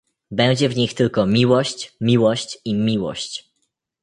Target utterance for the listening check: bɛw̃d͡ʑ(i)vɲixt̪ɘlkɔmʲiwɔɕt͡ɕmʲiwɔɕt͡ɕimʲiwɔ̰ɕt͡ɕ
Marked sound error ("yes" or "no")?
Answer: yes